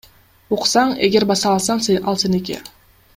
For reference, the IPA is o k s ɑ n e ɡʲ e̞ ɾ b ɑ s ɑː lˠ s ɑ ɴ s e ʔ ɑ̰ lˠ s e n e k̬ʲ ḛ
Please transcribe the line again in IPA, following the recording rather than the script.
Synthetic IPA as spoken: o q s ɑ ɴ e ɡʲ e̞ ɾ b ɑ s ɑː lˠ s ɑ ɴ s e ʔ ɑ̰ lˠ s e n e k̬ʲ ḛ

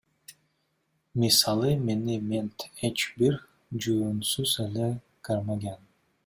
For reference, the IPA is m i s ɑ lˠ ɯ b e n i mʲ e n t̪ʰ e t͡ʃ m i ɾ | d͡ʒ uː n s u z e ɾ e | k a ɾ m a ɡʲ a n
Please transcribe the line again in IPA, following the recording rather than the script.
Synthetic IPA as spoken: m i s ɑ lˠ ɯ m e n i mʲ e n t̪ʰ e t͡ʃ b i ɾ | d͡ʒ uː n s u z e l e | k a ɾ m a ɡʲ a n

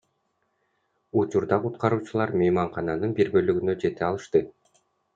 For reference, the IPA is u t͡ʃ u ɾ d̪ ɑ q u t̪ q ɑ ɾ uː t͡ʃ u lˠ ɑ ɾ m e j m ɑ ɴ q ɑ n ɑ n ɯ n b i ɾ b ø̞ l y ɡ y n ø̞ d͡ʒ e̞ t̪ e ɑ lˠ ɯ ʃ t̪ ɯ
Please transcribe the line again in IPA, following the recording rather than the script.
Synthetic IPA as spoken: u t͡ʃ u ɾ d̪ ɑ q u t̪ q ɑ ɾ uː t͡ʃ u lˠ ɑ ɾ m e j m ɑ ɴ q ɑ n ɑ n ɯ n b i ɾ b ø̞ l y ɡ y n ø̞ d͡ʒ e̞ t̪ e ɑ lˠ ɯ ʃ t̪ ɯ

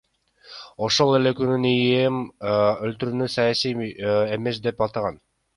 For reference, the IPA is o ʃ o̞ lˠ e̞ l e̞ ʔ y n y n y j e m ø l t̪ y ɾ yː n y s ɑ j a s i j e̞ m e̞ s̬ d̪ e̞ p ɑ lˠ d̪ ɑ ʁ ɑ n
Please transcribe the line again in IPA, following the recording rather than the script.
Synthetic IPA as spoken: o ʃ o̞ lˠ e̞ l e̞ k y n y n i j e m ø l t̪ y ɾ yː n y s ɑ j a s i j e̞ m e̞ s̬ d̪ e̞ p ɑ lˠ t̪ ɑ ʁ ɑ n

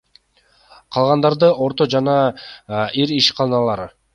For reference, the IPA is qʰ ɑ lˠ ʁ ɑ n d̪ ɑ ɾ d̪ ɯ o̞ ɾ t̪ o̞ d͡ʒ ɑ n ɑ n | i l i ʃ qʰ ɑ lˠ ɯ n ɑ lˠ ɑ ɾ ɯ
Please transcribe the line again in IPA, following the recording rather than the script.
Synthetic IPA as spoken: qʰ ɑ lˠ ʁ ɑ n d̪ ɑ ɾ d̪ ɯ o̞ ɾ t̪ o̞ d͡ʒ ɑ n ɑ | i ɾ i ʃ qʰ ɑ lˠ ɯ n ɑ lˠ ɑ ɾ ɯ

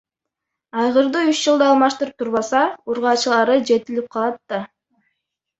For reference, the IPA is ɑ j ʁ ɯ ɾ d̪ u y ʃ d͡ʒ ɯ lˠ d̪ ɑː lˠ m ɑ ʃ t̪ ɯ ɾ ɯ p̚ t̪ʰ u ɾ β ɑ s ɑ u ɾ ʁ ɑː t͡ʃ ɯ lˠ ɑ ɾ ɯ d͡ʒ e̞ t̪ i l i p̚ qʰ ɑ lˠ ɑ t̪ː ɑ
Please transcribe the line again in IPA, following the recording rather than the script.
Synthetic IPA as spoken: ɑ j ʁ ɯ ɾ d̪ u y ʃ d͡ʒ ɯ lˠ d̪ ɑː lˠ m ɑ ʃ t̪ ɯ ɾ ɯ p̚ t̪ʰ u ɾ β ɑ s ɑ u ɾ ʁ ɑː t͡ʃ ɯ lˠ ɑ ɾ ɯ d͡ʒ e̞ t̪ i l i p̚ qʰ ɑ lˠ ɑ t̪ː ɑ

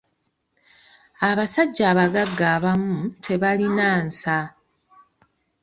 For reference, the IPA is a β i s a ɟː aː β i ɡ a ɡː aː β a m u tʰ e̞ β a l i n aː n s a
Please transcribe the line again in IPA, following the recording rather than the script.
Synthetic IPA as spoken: a β a s a ɟː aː β a ɡ a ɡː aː β a m u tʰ e̞ β a l i n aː n s a

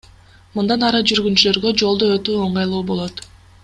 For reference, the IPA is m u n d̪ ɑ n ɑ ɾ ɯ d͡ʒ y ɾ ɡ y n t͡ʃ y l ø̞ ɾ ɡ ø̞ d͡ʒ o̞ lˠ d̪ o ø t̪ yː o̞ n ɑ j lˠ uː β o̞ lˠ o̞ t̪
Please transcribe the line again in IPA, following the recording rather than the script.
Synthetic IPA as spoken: m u n d̪ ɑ n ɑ ɾ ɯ d͡ʒ y ɾ ɡ y n t͡ʃ y l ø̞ ɾ ɡ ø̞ d͡ʒ o̞ lˠ d̪ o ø t̪ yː o̞ ɴ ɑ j lˠ uː b o̞ lˠ o̞ t̪

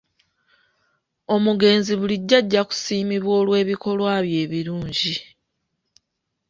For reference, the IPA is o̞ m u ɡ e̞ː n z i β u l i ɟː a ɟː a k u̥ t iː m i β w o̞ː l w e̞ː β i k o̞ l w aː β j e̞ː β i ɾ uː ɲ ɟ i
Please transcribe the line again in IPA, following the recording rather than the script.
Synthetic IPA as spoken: o̞ m u ɡ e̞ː n z i β u l i ɟː a ɟː a k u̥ s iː m i β w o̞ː l w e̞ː β i k o̞ l w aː β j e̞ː β i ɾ uː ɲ ɟ i

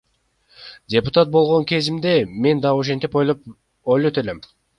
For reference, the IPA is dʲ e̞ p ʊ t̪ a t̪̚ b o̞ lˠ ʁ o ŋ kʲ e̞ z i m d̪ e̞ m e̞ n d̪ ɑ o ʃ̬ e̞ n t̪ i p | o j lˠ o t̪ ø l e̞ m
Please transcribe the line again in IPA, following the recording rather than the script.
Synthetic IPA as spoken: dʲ e̞ p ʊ t̪ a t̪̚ b o̞ lˠ ʁ o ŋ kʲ e̞ z i m d̪ e̞ m e̞ n d̪ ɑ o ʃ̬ e̞ n t̪ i p | o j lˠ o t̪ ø l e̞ m

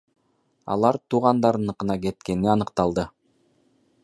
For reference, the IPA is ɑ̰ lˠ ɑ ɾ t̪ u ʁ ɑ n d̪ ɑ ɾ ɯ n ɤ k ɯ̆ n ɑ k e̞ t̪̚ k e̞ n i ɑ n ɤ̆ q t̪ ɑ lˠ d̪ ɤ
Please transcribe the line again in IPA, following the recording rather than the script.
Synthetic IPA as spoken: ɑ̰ lˠ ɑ ɾ t̪ u ʁ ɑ n d̪ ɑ ɾ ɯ n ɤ q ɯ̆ n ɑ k e̞ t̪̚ k e̞ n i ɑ n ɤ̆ q t̪ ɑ lˠ d̪ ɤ

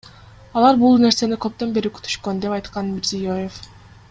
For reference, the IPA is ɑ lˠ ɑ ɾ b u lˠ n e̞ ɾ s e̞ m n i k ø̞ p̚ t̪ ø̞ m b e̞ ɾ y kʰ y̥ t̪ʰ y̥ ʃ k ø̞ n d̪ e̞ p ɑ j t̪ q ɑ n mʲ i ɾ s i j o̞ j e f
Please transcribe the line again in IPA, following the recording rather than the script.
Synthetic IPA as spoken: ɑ lˠ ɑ ɾ b u lˠ n e̞ ɾ s e̞ n i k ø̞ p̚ t̪ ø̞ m b e̞ ɾ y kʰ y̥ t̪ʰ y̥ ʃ k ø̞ n d̪ e̞ p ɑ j t̪ q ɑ n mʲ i ɾ z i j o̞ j e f

